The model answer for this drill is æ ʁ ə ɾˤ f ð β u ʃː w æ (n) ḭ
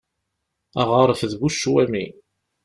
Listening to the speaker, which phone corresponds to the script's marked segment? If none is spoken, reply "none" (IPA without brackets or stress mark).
m